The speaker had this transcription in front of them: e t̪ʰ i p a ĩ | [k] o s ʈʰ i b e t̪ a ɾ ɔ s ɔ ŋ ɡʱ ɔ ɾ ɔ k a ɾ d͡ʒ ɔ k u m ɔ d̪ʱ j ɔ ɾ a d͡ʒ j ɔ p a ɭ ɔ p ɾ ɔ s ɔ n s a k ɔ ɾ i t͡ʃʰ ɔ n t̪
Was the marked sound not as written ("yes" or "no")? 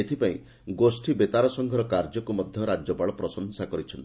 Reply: yes